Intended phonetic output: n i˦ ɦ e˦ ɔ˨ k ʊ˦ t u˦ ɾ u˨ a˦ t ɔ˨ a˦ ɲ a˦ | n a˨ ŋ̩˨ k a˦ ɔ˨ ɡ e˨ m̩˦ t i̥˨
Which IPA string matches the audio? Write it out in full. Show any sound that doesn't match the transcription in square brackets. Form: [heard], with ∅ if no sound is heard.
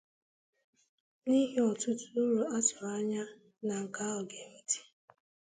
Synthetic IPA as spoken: n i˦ ɦ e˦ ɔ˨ [t] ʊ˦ t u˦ ɾ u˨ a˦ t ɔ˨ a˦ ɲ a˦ | n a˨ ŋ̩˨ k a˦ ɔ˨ ɡ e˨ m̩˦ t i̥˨

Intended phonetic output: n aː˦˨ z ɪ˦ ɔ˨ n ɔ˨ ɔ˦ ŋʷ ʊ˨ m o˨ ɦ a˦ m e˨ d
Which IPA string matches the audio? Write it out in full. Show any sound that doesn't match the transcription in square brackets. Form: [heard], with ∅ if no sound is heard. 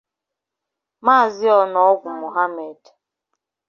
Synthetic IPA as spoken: [m] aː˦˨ z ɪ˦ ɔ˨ n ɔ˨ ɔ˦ [ɡʷ] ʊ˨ m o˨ ɦ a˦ m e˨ d

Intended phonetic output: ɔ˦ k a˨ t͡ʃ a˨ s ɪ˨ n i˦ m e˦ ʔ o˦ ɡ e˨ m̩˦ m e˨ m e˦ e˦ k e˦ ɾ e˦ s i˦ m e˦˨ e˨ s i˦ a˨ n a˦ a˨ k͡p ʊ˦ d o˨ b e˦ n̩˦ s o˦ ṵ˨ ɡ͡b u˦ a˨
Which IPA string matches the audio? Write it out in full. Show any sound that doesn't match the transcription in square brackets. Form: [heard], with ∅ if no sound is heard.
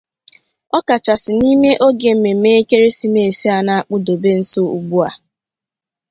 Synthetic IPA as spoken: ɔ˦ k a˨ t͡ʃ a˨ s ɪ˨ n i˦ m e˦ ʔ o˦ ɡ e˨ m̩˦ m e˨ m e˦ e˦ k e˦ ɾ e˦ s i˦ m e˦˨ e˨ s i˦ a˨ n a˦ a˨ k͡p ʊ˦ d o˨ b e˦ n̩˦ s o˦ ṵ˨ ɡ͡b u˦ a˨

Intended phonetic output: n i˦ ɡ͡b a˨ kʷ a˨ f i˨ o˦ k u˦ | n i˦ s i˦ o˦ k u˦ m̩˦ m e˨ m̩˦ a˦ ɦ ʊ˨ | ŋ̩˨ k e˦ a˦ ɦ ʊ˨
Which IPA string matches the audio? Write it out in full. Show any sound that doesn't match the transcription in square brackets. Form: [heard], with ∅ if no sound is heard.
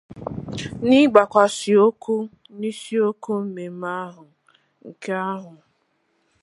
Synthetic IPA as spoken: n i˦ ɡ͡b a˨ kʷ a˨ [s] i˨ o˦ k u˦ | n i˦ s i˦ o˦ k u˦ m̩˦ m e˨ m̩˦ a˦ ɦ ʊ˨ | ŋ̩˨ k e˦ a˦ ɦ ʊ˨

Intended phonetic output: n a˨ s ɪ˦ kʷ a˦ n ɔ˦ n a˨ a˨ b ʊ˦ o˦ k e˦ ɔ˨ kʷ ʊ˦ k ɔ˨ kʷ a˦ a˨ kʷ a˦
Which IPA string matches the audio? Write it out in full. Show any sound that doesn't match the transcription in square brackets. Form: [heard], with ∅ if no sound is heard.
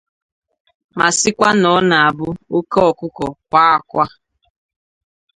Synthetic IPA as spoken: [m] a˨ s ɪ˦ kʷ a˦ n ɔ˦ n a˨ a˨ b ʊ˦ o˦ k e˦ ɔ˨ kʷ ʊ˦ k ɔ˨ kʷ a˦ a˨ kʷ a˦

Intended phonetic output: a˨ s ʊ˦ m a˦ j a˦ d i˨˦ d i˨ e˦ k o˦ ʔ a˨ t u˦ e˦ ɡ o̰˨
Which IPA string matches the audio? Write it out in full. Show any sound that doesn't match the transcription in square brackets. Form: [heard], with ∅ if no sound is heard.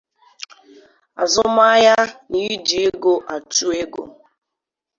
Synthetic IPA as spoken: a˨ [z] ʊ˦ m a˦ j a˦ [n] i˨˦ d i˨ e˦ [ɡ] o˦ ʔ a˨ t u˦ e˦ ɡ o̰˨

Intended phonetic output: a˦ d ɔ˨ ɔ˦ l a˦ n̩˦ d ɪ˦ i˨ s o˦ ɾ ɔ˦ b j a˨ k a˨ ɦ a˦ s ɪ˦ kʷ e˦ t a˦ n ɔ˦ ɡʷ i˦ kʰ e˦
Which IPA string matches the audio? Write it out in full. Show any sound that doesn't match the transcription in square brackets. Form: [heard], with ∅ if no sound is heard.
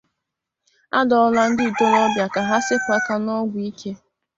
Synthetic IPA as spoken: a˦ d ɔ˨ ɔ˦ l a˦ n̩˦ d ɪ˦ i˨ [t] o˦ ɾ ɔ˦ b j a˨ k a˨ ɦ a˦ s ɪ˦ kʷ [a˦] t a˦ n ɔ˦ ɡʷ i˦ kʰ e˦

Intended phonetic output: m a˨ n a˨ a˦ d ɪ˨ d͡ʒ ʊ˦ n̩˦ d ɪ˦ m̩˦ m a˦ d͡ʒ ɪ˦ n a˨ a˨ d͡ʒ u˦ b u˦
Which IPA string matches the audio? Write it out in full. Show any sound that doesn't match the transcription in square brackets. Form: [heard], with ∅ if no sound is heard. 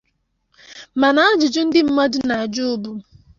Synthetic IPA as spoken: m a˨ n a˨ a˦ [d͡ʒ] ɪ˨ d͡ʒ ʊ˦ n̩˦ d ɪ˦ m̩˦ m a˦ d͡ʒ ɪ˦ n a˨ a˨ d͡ʒ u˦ b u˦

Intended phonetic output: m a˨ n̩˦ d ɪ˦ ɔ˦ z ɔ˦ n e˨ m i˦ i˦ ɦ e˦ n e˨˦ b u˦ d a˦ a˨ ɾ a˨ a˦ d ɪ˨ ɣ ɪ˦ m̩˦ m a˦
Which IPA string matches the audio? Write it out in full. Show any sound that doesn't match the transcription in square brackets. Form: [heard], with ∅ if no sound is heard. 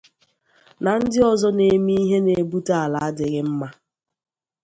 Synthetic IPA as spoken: [n] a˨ n̩˦ d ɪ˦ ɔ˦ z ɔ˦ n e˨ m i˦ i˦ ɦ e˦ n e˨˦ b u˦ [t] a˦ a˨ [l] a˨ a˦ d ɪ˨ ɣ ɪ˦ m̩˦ m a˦

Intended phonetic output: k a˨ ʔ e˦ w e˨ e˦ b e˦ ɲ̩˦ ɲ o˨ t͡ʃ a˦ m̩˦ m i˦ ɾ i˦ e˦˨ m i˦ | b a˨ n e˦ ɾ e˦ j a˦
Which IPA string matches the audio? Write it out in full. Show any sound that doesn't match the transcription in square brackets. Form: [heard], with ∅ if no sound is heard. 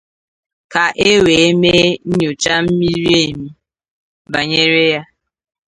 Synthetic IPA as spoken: k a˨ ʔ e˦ w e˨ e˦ [m] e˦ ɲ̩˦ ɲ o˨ t͡ʃ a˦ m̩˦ m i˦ ɾ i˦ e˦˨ m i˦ | b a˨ [ɲ] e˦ ɾ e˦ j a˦

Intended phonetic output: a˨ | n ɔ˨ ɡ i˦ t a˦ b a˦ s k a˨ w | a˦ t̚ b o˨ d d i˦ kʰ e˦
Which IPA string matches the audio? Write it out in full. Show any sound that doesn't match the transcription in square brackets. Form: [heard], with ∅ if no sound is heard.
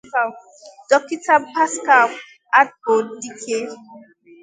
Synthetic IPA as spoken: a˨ | [d] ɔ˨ [k] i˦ t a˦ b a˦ s k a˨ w | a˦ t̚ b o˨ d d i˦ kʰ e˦

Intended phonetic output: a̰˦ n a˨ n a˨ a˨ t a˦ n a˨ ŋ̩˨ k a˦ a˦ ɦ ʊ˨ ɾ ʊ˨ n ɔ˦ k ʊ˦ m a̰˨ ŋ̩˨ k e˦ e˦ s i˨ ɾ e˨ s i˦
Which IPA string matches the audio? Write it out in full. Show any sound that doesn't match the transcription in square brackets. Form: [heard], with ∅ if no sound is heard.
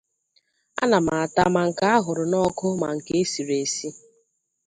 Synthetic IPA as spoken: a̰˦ n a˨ [m] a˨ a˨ t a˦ [m] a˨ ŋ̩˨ k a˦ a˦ ɦ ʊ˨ ɾ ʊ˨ n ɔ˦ k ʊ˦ m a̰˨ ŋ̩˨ k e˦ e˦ s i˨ ɾ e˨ s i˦

